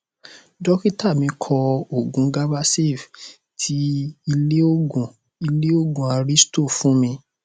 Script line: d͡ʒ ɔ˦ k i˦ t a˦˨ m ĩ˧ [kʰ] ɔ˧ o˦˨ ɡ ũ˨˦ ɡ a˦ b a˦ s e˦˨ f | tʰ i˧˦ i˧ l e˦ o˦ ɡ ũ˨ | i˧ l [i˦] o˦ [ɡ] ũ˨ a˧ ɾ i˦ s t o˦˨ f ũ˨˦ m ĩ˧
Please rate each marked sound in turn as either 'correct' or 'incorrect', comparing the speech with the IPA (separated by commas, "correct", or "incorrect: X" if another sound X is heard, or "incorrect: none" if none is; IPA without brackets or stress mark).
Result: correct, incorrect: e˦, correct